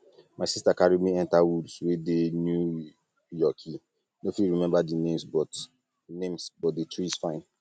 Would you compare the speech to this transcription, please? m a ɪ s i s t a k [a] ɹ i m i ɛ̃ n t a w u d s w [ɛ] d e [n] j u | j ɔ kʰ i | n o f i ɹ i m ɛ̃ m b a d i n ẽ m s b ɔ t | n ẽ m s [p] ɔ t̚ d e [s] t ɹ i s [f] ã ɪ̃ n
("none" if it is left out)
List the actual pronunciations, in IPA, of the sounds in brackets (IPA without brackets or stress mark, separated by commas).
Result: a, e, n, b, none, f